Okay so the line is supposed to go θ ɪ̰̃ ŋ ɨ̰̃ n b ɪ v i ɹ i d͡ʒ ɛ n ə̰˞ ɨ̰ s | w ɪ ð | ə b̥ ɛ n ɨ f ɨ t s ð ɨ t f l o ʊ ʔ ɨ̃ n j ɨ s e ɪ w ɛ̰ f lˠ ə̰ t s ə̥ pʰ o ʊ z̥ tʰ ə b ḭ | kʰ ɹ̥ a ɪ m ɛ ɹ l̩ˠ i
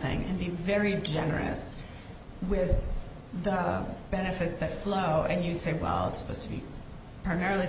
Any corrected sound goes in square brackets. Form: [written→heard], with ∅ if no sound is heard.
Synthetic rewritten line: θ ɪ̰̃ ŋ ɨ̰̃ n b [ɪ→i] v [i→ɛ] ɹ i d͡ʒ ɛ n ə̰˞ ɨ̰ s | w ɪ ð | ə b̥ ɛ n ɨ f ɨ t s ð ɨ t f l o ʊ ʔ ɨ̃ n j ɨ s e ɪ w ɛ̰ [f→∅] lˠ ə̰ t s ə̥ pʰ o ʊ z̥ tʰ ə b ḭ | [kʰ→pʰ] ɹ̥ a ɪ m ɛ ɹ l̩ˠ i